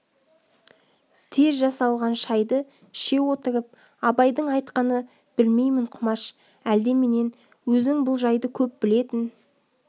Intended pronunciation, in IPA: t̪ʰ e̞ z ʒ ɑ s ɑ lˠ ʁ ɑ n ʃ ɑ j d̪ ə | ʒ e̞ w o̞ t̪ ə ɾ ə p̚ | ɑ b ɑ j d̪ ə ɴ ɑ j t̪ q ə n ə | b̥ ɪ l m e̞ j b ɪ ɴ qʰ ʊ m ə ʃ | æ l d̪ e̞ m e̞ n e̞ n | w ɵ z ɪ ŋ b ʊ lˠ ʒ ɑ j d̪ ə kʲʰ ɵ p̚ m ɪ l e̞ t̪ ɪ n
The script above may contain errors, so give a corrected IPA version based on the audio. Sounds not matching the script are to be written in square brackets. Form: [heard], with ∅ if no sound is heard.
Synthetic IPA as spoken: t̪ʰ e̞ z ʒ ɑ s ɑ lˠ ʁ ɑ n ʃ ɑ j d̪ ə | [ʃ] e̞ w o̞ t̪ ə ɾ ə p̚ | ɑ b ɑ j d̪ ə ɴ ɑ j t̪ q [ɑ] n ə | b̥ ɪ l m e̞ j [m] ɪ ɴ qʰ ʊ m [ɑ] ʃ | æ l d̪ e̞ m e̞ n e̞ n | w ɵ z ɪ ŋ b ʊ lˠ ʒ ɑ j d̪ ə kʲʰ ɵ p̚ [b] ɪ l e̞ t̪ ɪ n